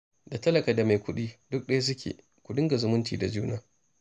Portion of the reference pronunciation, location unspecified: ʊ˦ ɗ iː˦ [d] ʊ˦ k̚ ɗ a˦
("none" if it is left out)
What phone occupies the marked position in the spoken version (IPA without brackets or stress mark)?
d